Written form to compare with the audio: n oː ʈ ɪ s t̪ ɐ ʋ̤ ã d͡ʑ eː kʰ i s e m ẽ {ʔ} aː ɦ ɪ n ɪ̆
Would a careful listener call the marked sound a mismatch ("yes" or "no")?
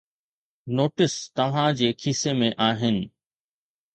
no